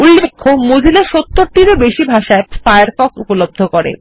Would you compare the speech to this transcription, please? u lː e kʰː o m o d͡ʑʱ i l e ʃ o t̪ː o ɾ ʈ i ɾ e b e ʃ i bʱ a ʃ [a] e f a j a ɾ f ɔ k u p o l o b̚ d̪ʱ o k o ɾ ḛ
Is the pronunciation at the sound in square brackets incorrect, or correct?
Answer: correct